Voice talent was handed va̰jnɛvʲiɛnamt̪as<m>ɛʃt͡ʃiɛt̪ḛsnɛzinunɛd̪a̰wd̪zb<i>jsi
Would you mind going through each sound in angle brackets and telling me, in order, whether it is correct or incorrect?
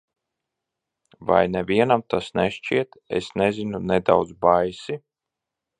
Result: incorrect: n, incorrect: a

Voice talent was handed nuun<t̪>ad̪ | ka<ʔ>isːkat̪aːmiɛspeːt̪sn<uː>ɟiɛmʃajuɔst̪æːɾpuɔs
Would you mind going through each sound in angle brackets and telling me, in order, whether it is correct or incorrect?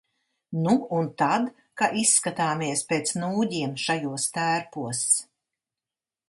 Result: correct, correct, correct

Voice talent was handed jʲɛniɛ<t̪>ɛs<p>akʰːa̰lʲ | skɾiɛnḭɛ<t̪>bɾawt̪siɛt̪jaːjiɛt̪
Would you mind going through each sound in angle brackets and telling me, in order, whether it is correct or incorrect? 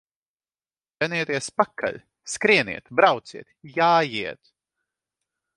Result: correct, correct, correct

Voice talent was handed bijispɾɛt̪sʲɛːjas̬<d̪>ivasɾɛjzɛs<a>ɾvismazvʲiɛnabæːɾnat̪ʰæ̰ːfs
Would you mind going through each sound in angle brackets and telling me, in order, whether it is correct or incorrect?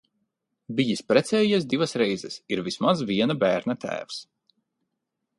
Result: correct, incorrect: i

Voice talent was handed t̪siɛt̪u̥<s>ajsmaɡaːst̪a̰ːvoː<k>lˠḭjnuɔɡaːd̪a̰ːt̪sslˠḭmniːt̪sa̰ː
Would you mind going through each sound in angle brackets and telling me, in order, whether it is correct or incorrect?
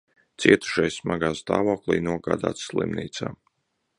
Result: incorrect: ʃ, correct

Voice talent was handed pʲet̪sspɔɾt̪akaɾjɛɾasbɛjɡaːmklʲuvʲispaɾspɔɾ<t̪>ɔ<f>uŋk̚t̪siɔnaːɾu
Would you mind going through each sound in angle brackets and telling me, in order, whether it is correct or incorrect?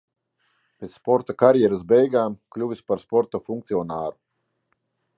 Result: correct, correct

